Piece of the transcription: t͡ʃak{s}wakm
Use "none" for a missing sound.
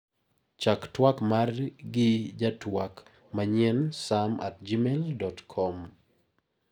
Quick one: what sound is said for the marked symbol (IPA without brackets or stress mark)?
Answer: t